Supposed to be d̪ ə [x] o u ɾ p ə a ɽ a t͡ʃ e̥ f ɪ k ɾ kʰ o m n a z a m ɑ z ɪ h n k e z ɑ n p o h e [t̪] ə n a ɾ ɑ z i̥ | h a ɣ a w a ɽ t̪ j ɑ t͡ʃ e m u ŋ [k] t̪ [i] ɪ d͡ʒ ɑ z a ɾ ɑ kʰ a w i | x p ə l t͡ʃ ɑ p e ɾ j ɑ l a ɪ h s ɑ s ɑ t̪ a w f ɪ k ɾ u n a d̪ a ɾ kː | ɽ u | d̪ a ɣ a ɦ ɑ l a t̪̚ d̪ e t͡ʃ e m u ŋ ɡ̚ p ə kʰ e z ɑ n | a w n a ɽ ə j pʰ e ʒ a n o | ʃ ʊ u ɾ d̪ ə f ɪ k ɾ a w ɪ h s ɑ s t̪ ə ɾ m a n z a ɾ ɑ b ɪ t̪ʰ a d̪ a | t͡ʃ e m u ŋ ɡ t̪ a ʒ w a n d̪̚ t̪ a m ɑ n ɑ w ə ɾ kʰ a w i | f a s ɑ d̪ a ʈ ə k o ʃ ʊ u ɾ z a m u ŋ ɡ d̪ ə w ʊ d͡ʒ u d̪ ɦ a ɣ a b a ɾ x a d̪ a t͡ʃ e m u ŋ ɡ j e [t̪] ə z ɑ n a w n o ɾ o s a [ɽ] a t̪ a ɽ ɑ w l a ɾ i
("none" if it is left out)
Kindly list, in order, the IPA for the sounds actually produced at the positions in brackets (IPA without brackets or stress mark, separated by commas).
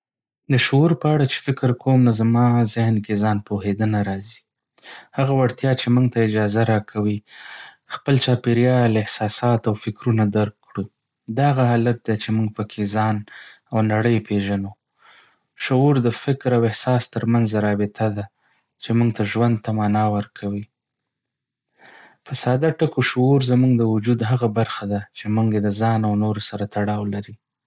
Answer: ʃ, d̪, ɡ, a, d̪, ɾ